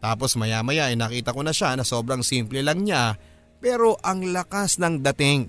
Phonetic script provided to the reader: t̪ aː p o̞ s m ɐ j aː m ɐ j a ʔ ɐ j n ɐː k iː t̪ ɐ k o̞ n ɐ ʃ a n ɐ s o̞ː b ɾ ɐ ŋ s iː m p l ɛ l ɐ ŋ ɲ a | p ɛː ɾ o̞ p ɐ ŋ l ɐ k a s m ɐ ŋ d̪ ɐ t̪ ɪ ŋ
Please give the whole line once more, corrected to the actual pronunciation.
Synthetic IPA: t̪ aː p o̞ s m ɐ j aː m ɐ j a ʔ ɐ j n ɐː k iː t̪ ɐ k o̞ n ɐ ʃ a n ɐ s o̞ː b ɾ ɐ ŋ s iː m p l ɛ l ɐ ŋ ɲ a | p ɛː ɾ o̞ ʔ ɐ ŋ l ɐ k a s n ɐ ŋ d̪ ɐ t̪ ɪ ŋ